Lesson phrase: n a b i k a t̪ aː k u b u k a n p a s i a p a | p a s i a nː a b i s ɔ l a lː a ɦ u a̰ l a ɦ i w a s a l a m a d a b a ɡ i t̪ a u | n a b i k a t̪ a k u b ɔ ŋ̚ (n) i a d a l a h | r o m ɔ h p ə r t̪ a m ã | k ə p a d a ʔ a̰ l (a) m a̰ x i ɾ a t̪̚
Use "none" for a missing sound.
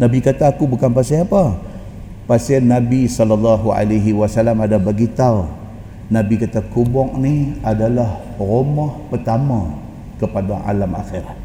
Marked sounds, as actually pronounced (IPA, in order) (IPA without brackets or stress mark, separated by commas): n, a